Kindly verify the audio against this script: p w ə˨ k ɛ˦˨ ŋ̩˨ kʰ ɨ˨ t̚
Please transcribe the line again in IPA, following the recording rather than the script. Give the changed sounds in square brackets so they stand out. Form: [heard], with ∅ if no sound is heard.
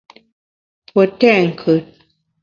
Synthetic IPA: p w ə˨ [t] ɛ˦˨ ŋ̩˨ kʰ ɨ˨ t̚